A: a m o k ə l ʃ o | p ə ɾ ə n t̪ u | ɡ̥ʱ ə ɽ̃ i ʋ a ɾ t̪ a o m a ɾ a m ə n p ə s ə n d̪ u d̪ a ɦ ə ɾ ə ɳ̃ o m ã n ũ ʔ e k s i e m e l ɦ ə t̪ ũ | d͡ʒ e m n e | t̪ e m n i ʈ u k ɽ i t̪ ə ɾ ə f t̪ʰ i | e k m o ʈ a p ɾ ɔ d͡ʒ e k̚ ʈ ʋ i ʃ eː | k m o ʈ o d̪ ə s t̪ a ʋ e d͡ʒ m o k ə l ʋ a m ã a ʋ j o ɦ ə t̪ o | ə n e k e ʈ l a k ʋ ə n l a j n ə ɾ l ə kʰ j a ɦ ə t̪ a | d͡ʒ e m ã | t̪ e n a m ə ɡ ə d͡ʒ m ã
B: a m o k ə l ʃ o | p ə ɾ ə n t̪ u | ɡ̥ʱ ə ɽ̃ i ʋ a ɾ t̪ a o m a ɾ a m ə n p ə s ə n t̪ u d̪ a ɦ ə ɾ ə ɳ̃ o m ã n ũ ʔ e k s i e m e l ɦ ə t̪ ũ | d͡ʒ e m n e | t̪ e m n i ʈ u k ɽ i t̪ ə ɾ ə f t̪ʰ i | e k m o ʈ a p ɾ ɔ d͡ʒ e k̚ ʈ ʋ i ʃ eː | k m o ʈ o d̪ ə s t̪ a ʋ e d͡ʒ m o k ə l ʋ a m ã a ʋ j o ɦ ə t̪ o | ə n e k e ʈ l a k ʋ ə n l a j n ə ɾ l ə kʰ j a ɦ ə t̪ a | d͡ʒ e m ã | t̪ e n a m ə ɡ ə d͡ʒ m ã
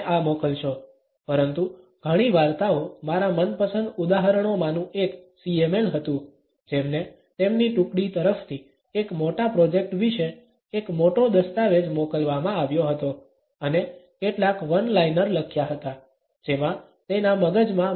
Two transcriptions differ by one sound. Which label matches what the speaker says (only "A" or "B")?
A